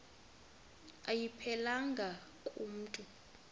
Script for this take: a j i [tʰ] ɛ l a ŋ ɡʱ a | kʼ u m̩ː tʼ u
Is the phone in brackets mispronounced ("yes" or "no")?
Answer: yes